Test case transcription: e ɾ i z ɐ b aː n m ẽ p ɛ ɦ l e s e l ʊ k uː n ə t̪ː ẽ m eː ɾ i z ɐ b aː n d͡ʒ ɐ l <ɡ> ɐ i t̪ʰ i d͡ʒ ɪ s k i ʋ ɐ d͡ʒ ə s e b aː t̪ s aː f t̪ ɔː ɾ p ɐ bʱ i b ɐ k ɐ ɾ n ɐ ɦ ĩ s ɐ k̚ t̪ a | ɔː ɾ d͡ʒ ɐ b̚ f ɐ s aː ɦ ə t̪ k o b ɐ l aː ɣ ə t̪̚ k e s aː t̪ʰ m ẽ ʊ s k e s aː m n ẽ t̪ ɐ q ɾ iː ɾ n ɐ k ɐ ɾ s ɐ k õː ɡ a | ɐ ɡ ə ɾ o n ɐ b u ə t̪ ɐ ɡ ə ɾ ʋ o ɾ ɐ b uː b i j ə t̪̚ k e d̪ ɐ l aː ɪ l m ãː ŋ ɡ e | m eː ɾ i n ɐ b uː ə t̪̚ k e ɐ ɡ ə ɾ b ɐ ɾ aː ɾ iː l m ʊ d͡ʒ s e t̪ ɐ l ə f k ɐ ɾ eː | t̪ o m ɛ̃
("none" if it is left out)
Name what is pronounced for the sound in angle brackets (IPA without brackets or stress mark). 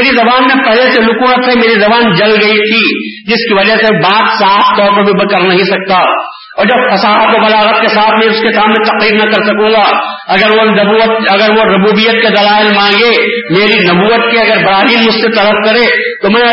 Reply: ɡ